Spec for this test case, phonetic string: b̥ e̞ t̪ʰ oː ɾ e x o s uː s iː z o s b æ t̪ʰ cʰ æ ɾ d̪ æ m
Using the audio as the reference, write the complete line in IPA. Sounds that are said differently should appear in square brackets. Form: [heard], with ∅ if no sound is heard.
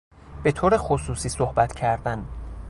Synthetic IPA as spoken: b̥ e̞ t̪ʰ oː ɾ e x o s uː s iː [s] o [h] b æ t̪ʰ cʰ æ ɾ d̪ æ [n]

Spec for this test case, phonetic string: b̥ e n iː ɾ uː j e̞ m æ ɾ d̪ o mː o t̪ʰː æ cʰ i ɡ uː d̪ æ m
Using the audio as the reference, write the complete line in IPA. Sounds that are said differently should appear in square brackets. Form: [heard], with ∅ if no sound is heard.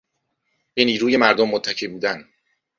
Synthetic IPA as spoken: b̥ e n iː ɾ uː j e̞ m æ ɾ d̪ o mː o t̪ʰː æ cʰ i [b] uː d̪ æ [n]

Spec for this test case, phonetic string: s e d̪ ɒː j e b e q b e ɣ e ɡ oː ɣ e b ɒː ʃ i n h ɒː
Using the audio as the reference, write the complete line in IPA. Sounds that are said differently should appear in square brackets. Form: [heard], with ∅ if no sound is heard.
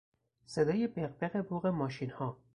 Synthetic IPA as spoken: s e d̪ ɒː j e b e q b e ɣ e [b] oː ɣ e [m] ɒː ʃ i n h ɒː

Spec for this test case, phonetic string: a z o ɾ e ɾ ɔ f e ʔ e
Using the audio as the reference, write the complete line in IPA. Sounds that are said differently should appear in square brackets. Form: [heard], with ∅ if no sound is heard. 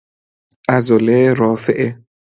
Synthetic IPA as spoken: a z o [l] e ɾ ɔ f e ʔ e

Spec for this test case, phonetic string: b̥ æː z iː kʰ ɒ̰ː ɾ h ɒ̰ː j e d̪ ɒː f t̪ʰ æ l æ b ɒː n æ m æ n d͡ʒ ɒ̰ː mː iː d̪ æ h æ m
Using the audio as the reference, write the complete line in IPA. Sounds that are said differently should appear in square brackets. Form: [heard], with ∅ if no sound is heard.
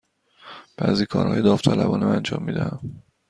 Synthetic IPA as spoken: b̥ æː z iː kʰ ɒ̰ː ɾ h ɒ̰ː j e d̪ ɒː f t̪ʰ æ l æ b ɒː n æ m æ n d͡ʒ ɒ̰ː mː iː d̪ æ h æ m

